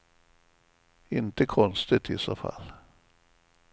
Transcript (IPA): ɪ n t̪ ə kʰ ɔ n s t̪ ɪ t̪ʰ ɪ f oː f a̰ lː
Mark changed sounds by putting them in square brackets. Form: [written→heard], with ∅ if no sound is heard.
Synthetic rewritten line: ɪ n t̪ ə kʰ ɔ n s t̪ ɪ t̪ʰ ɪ [f→s] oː f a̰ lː